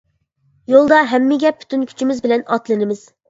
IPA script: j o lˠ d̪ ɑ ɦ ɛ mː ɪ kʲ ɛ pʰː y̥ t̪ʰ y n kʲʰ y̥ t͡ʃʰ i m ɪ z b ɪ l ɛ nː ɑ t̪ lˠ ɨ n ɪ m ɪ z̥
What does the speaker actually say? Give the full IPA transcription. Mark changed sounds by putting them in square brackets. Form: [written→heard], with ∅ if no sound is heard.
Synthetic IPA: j o lˠ d̪ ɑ ɦ ɛ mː ɪ [kʲ→ɡʲ] ɛ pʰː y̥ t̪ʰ y n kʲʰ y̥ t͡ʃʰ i m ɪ z b ɪ l ɛ [nː→n] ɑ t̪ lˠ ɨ n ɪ m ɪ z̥